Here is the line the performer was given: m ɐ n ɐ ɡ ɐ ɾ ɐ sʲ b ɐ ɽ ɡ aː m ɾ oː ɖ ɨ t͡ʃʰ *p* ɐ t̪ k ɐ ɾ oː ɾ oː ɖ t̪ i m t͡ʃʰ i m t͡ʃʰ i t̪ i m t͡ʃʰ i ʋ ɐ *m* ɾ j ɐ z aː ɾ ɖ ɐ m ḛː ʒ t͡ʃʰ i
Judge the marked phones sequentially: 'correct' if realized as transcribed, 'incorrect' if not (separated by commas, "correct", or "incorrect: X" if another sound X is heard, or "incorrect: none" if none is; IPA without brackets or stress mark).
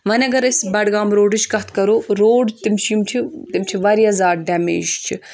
incorrect: k, incorrect: none